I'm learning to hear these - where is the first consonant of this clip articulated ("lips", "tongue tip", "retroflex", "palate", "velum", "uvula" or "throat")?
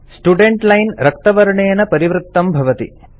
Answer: tongue tip